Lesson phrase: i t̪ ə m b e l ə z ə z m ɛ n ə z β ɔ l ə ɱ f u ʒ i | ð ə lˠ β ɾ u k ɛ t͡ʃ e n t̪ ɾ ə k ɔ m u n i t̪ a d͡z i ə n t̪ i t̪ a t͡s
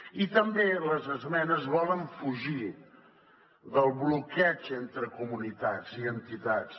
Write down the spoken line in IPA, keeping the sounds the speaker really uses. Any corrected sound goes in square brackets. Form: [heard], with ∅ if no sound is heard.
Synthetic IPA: i t̪ ə m b e l ə z ə z m ɛ n ə z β ɔ l ə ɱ f u ʒ i | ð ə lˠ β [l] u k ɛ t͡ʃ e n t̪ ɾ ə k [u] m u n i t̪ a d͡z i ə n t̪ i t̪ a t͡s